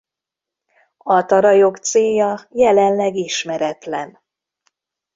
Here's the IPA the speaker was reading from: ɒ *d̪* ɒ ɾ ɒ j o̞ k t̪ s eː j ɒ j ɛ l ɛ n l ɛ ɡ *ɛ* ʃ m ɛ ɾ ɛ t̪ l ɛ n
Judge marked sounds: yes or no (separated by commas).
no, no